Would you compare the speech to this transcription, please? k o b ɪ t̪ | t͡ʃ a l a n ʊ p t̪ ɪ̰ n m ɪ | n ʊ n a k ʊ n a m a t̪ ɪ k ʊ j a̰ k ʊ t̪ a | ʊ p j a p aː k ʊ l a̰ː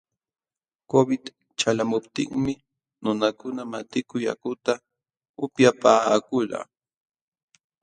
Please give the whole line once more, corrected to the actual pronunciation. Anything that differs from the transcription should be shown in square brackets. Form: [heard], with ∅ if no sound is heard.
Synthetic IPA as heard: k o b ɪ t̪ | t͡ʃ a l a [m] ʊ p t̪ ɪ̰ [ŋ] m ɪ | n ʊ n a k ʊ n a m a t̪ ɪ k ʊ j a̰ k ʊ t̪ a | ʊ p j a p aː k ʊ l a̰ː